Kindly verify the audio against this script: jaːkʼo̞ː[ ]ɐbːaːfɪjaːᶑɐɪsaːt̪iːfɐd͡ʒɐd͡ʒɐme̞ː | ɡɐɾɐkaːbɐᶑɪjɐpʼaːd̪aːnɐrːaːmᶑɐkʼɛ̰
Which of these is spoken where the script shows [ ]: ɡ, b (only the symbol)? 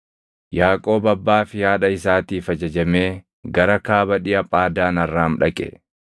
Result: b